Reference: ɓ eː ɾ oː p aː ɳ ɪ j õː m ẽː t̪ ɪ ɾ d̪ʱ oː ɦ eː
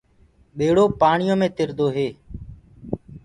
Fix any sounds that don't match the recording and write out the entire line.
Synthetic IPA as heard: ɓ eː ɽ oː p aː ɳ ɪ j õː m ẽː t̪ ɪ ɾ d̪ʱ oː ɦ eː